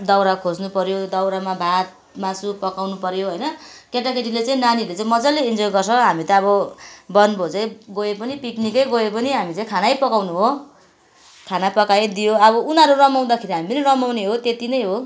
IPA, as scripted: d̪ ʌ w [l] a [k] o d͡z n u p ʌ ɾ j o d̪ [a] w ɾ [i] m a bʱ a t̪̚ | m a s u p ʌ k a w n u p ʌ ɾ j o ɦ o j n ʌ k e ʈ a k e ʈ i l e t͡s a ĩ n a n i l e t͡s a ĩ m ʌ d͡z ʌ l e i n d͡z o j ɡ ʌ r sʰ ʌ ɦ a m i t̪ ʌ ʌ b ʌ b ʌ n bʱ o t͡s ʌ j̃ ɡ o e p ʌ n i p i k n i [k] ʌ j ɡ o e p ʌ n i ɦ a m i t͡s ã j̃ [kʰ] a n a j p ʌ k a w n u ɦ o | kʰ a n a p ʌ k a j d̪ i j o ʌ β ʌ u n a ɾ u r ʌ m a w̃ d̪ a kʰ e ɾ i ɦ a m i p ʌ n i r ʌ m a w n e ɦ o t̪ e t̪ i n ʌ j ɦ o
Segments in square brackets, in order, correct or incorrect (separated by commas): incorrect, incorrect, incorrect, incorrect, correct, correct